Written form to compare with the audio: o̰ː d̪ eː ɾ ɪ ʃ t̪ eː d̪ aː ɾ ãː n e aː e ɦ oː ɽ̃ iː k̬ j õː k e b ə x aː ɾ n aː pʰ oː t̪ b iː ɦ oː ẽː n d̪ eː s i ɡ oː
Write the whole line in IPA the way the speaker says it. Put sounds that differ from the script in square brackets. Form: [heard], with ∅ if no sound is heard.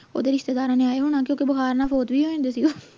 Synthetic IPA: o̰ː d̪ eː ɾ ɪ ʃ t̪ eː d̪ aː ɾ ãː n e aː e ɦ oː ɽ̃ [aː] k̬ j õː k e b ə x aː ɾ n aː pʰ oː t̪ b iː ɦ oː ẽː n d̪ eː s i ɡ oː

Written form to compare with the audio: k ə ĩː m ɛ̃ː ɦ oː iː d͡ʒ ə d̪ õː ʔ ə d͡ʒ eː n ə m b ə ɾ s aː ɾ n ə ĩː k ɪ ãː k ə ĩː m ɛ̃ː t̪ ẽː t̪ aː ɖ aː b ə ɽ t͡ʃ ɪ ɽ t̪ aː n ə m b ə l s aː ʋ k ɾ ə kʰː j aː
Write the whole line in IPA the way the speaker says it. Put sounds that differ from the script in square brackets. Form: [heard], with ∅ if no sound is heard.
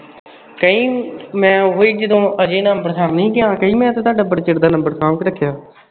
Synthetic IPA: k ə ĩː m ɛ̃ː ɦ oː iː d͡ʒ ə d̪ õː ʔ ə d͡ʒ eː n ə m b ə ɾ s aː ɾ n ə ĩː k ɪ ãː k ə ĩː m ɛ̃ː t̪ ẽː t̪ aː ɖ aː b ə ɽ t͡ʃ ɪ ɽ [d̪] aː n ə m b ə [ɾ] s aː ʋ k ɾ ə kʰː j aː

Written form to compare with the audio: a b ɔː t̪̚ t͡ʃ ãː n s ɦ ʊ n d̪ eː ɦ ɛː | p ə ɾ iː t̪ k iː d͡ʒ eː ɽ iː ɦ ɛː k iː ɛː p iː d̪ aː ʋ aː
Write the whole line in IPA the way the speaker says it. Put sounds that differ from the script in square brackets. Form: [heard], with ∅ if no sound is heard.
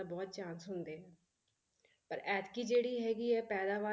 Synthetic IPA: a b ɔː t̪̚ t͡ʃ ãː n s ɦ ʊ n d̪ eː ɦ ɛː | p ə ɾ [ɛː] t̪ k iː d͡ʒ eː ɽ iː ɦ ɛː [ɡ] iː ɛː p [ɛː] d̪ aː ʋ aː

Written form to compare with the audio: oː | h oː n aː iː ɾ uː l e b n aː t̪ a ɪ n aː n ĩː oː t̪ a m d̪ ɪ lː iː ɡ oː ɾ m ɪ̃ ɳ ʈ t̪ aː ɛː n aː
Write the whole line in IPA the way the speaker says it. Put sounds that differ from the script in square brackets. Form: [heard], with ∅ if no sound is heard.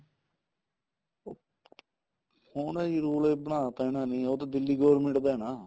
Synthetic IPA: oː | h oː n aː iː ɾ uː l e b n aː t̪ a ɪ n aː n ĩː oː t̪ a [∅] d̪ ɪ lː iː ɡ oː ɾ m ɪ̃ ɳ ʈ [d̪] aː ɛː n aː

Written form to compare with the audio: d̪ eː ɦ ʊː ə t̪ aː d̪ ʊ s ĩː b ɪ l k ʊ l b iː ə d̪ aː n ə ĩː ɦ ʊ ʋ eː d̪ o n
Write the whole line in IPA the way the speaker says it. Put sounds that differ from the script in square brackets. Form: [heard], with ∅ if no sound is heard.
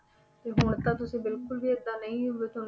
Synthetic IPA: [t̪] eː ɦ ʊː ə t̪ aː [t̪] ʊ s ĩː b ɪ l k ʊ l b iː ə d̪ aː n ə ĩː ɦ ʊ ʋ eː [t̪] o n

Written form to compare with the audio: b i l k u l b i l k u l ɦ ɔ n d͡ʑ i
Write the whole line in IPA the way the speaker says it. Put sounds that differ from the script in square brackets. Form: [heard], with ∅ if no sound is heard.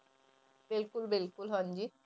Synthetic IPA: b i l k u l b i l k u l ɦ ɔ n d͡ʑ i

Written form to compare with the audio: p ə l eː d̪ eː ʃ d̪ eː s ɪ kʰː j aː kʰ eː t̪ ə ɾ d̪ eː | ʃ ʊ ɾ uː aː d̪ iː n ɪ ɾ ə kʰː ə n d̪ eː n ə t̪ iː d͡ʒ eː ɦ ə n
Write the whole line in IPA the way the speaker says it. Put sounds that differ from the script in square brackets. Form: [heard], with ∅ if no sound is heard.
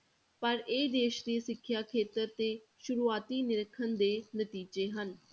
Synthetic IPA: p ə [ɾ] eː d̪ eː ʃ d̪ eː s ɪ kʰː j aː kʰ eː t̪ ə ɾ [t̪] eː | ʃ ʊ ɾ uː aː [t̪] iː n ɪ ɾ ə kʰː ə n d̪ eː n ə t̪ iː d͡ʒ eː ɦ ə n

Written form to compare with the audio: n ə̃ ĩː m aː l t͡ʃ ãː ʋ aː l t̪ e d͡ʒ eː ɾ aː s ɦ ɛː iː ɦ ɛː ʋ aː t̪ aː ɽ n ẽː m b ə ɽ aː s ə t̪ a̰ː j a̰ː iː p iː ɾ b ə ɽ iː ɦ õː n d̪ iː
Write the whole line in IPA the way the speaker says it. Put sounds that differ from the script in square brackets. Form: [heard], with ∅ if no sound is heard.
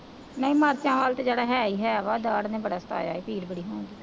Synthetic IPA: n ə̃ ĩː m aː [ɾ] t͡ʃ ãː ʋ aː l t̪ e d͡ʒ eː [ɽ] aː [∅] ɦ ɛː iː ɦ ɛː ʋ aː [d̪] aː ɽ n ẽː [∅] b ə ɽ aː s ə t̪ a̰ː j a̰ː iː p iː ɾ b ə ɽ iː ɦ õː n d̪ iː

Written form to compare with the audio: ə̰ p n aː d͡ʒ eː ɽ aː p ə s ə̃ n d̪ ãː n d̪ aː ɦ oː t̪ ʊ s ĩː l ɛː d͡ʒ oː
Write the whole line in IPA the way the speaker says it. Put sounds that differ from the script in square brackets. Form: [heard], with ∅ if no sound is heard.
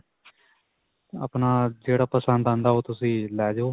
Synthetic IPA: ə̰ p n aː d͡ʒ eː ɽ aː p ə s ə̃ n d̪ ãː n d̪ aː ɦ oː t̪ ʊ s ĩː l ɛː d͡ʒ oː

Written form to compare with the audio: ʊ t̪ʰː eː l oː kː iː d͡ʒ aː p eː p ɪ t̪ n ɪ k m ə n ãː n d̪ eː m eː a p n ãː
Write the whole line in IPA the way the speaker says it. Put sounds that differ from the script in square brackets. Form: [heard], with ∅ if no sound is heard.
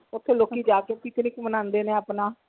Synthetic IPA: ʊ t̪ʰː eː l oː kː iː d͡ʒ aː [k] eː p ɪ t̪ n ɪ k m ə n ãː n d̪ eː [n] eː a p n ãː

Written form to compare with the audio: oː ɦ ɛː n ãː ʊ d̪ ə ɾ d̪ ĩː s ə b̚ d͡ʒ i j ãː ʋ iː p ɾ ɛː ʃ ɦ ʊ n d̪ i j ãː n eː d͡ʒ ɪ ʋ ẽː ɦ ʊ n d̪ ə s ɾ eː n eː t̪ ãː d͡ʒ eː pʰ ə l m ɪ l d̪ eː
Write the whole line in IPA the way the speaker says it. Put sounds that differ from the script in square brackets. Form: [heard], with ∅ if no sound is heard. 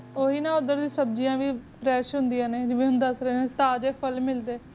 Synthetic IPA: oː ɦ [iː] n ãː ʊ d̪ ə ɾ d̪ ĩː s ə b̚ d͡ʒ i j ãː ʋ iː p ɾ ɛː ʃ ɦ ʊ n d̪ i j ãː n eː d͡ʒ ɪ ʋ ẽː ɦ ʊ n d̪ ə s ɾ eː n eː t̪ [aː] d͡ʒ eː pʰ ə l m ɪ l d̪ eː

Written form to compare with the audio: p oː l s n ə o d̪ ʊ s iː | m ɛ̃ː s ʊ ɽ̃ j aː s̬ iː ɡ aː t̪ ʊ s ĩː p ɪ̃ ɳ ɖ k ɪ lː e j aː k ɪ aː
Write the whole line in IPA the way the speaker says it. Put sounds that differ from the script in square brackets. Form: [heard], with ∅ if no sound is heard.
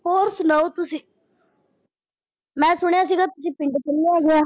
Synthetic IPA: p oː [ɾ] s n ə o [t̪] ʊ s iː | m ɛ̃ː s ʊ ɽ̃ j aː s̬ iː ɡ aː t̪ ʊ s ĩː p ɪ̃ ɳ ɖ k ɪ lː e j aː [ɡ] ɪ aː

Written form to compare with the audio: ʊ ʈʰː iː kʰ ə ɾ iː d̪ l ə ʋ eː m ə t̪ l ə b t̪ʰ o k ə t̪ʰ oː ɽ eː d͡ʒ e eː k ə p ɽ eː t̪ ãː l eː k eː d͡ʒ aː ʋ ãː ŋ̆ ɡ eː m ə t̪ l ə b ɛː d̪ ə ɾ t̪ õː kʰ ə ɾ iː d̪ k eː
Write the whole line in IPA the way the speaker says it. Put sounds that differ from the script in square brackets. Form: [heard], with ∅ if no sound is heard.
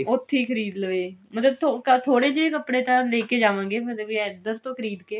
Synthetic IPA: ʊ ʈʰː iː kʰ ə ɾ iː d̪ l ə ʋ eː m ə t̪ l ə b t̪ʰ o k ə t̪ʰ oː ɽ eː d͡ʒ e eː k ə p ɽ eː t̪ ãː l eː k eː d͡ʒ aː ʋ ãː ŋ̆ ɡ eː m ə t̪ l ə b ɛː d̪ ə ɾ t̪ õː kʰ ə ɾ iː d̪ k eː

